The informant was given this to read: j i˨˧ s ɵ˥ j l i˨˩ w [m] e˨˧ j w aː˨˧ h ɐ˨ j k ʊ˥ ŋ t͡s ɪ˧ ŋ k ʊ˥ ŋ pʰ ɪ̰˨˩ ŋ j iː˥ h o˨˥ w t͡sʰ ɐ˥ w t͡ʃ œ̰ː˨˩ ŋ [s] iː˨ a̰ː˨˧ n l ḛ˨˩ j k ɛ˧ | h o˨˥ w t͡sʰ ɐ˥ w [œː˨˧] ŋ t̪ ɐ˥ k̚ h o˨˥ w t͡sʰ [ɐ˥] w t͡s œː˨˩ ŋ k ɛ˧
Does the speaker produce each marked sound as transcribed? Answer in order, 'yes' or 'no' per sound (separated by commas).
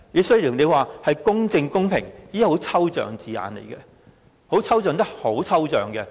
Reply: no, no, yes, yes